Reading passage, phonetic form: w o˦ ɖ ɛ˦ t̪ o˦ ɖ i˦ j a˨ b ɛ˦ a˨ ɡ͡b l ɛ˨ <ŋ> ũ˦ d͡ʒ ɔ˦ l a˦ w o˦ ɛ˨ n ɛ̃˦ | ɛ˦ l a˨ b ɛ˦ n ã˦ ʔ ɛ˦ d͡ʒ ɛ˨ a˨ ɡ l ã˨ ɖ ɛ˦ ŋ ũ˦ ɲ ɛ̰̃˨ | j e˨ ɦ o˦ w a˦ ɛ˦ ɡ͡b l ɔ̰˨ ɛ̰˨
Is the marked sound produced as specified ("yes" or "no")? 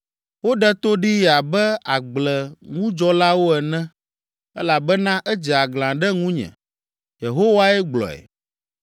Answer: yes